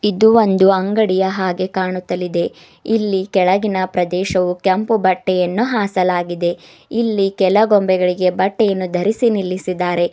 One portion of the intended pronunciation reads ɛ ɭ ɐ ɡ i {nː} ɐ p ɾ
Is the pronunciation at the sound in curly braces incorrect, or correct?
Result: incorrect